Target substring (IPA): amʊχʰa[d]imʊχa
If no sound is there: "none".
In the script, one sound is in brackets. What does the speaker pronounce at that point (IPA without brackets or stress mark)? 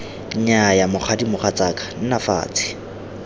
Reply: d